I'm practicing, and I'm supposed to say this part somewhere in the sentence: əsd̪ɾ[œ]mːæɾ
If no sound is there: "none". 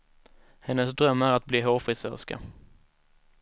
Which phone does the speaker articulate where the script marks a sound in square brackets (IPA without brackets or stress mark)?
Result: œ